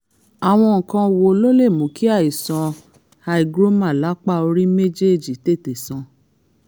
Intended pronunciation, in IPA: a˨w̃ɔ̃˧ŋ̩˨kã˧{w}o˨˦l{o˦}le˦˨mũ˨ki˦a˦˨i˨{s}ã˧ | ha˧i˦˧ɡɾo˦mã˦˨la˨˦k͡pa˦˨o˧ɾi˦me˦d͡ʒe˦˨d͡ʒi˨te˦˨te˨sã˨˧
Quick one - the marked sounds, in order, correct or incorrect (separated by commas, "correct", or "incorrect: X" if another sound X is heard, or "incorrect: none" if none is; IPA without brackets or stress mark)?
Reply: correct, correct, correct